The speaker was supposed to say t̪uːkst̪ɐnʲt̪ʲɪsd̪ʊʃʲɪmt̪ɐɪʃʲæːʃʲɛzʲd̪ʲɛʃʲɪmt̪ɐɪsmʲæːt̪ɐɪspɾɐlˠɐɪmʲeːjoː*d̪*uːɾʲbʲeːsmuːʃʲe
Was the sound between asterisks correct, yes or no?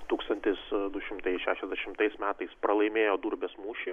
yes